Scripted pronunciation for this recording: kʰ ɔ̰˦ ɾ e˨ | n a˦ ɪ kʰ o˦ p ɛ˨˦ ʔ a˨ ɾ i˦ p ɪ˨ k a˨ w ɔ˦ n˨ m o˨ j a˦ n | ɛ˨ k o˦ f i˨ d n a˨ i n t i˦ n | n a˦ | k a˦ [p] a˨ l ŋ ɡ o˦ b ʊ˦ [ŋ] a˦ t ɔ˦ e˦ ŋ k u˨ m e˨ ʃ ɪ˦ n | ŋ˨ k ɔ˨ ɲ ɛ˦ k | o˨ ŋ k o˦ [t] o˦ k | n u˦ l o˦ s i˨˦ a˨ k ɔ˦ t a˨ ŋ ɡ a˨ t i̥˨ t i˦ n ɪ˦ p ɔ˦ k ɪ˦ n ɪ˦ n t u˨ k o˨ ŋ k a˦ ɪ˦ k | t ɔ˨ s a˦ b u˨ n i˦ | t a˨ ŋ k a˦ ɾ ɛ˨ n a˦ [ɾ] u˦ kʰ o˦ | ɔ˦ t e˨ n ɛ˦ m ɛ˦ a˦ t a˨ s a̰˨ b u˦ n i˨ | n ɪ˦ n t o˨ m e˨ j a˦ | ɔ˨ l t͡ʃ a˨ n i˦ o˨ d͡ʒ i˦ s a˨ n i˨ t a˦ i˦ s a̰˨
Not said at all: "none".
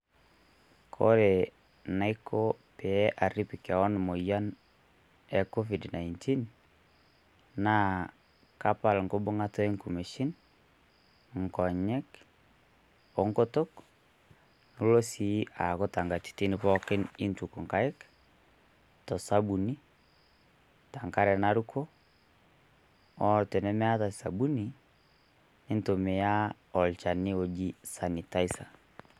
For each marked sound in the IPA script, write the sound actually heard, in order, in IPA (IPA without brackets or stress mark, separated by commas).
p, ŋ, t, ɾ